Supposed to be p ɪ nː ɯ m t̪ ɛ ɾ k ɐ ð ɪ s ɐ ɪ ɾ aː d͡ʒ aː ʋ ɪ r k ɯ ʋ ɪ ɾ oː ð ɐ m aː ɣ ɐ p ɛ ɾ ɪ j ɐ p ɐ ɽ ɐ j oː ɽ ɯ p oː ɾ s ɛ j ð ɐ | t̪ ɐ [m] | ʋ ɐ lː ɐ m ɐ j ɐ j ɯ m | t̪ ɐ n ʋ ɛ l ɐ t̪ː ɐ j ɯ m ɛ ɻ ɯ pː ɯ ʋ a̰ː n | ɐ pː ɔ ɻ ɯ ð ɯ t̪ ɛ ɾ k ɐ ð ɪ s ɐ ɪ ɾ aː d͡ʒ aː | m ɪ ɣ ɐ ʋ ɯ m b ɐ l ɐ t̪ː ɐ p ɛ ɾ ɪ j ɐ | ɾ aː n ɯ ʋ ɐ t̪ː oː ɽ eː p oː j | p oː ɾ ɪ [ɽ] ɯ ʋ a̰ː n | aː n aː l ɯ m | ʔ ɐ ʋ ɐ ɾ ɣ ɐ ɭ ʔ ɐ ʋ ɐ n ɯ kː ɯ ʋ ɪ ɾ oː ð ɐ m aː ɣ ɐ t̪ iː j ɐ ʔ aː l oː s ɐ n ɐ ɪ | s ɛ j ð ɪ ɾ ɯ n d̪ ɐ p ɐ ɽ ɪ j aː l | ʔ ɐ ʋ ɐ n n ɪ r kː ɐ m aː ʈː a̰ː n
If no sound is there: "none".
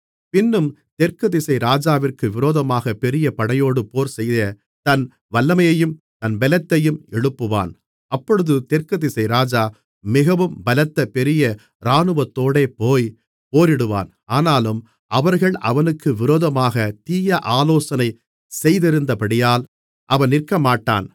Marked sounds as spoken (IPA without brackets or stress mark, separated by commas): n, ɽ